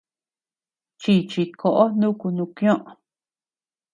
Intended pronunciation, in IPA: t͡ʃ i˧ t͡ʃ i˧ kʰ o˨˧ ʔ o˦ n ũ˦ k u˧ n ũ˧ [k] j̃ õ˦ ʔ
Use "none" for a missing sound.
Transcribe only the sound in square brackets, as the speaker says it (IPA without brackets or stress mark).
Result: k